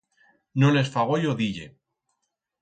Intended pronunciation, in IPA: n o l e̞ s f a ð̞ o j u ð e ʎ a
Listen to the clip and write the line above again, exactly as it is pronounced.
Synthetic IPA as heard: n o l e̞ s f a ɣ̞ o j o ð i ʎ e